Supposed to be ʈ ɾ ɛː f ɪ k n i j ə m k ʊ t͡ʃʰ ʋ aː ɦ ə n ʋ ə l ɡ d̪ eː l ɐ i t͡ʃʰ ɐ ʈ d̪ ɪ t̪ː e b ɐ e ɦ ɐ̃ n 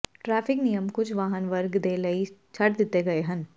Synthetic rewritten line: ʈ ɾ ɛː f ɪ k n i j ə m k ʊ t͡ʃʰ ʋ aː ɦ ə n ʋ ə ɾ ɡ d̪ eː l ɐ i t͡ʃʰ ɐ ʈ d̪ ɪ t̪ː e ɡ ɐ e ɦ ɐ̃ n